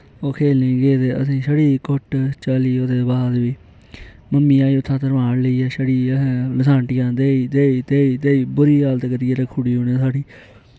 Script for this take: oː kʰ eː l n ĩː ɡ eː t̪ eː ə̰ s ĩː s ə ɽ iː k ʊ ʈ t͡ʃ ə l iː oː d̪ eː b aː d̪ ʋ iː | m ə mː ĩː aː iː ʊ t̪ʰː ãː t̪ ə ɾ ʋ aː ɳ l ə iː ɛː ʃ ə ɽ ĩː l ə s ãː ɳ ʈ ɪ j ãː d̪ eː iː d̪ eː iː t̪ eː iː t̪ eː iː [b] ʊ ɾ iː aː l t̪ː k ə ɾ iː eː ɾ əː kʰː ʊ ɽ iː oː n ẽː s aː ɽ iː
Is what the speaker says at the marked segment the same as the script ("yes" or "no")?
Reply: yes